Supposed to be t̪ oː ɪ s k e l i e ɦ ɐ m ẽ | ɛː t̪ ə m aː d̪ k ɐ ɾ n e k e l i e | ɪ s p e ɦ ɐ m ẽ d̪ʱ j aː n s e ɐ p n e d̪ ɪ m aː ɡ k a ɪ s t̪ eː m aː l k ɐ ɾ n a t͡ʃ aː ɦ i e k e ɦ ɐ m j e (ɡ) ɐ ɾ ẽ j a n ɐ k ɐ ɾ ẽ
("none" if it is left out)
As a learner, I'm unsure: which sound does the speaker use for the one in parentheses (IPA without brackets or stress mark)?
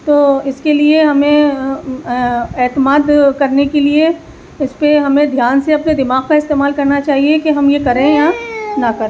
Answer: k